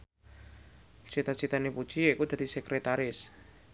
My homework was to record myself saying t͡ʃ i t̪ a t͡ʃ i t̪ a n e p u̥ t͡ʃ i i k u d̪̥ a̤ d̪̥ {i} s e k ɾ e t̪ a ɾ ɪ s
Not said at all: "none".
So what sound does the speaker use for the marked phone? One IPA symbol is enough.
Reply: i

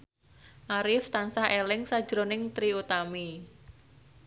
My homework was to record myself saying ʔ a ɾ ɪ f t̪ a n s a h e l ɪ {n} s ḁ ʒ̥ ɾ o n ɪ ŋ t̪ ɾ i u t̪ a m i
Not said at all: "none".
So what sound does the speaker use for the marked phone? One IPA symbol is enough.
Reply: ŋ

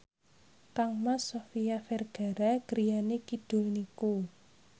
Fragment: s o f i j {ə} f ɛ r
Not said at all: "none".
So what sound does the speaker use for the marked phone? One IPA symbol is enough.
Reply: a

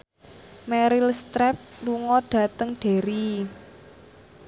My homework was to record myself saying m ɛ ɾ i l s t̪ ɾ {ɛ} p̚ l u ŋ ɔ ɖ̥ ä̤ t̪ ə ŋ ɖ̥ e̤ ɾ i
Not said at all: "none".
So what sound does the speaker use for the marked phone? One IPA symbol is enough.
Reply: ɛ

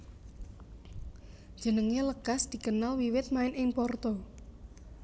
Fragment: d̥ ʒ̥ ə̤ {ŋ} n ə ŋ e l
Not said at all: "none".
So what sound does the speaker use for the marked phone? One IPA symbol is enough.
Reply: none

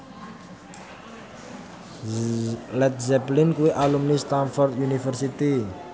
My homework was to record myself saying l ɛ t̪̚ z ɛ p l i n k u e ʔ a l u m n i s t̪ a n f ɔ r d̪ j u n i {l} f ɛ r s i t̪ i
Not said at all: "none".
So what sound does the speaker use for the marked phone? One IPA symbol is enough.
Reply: none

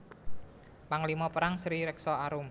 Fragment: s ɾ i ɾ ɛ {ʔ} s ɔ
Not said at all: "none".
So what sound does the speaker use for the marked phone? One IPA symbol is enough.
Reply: k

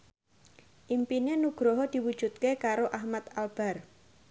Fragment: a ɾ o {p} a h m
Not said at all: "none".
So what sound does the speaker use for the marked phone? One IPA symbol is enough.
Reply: ʔ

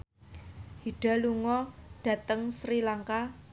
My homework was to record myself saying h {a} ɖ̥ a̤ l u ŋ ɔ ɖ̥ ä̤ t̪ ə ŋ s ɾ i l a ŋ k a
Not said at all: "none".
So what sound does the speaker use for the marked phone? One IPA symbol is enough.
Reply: i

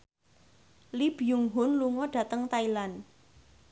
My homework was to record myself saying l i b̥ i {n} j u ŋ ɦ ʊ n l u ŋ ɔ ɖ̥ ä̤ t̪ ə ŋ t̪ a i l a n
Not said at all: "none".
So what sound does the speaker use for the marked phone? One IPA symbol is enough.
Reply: none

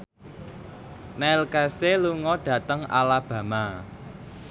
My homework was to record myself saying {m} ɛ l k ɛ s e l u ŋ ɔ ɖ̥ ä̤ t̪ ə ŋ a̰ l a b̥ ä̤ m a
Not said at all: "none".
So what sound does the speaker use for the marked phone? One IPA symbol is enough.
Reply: n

